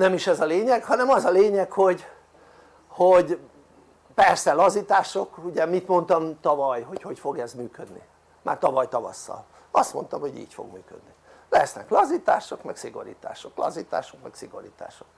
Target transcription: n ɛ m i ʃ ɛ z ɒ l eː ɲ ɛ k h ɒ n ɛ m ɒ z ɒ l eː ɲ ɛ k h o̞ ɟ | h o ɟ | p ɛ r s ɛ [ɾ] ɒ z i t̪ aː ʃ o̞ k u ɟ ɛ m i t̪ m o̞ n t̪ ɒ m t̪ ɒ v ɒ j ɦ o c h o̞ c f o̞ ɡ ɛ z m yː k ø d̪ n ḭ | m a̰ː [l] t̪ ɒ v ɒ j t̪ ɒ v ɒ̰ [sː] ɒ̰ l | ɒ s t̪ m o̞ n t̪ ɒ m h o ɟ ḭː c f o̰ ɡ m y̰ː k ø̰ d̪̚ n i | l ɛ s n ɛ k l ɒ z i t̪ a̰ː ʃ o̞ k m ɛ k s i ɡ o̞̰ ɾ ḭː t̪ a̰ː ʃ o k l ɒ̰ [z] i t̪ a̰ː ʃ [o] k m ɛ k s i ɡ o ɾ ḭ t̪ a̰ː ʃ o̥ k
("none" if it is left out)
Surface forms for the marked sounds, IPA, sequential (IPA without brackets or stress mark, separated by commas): l, r, sː, z, o